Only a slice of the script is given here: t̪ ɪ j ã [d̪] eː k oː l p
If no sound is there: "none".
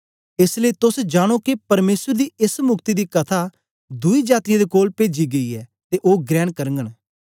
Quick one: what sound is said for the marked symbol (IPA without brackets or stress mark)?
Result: d̪